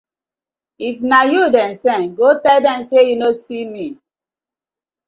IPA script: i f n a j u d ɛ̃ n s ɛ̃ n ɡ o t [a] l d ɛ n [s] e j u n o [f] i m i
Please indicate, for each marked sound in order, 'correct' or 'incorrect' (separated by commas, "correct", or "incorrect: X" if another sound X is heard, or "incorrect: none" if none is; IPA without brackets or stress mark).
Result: incorrect: ɛ, correct, incorrect: s